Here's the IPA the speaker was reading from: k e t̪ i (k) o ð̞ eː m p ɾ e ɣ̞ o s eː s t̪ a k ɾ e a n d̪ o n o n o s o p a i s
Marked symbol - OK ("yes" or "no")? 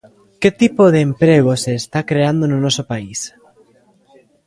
no